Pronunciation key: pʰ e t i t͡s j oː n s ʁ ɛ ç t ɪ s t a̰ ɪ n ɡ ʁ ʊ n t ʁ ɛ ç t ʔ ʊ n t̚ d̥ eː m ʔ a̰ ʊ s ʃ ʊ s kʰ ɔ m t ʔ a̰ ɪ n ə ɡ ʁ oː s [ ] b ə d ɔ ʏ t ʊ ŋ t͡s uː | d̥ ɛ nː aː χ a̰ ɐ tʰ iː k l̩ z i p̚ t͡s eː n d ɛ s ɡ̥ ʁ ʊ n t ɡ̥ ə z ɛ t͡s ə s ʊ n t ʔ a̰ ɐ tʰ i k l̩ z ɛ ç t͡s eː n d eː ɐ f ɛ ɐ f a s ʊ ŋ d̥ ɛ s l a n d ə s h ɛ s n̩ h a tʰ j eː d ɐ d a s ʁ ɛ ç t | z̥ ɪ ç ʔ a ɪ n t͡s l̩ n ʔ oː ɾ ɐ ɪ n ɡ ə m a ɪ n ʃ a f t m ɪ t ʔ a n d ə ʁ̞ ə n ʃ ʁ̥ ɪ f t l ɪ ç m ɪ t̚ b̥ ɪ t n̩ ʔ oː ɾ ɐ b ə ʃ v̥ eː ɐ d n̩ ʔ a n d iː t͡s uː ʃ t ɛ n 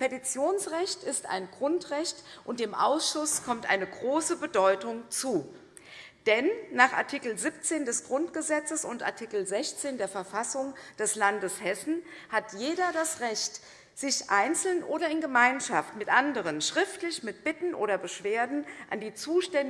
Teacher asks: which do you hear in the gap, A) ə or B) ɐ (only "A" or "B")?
A